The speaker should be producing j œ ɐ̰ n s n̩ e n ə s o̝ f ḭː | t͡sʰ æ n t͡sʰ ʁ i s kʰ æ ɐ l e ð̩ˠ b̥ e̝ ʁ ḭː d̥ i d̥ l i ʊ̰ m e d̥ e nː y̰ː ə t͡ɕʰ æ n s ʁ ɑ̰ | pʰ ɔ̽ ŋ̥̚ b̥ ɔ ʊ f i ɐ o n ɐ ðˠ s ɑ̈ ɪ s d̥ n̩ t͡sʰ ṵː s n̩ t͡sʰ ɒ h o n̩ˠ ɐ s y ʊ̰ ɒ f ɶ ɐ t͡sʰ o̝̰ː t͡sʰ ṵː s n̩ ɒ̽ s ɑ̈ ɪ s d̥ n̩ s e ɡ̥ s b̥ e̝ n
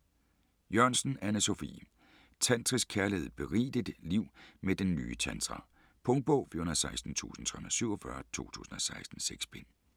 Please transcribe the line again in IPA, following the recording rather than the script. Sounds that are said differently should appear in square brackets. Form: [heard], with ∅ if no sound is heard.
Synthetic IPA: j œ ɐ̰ n s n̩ [æ] n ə s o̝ f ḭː | t͡sʰ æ n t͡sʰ ʁ i s kʰ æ ɐ l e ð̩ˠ b̥ e̝ ʁ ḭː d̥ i d̥ l i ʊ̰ m e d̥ e nː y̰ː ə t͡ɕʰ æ n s ʁ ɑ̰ | pʰ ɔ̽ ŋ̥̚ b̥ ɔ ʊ f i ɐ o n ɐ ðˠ s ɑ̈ ɪ s d̥ n̩ t͡sʰ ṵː s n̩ t͡sʰ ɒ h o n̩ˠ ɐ s y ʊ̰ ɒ f ɶ ɐ t͡sʰ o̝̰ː t͡sʰ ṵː s n̩ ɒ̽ s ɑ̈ ɪ s d̥ n̩ s e ɡ̥ s b̥ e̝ n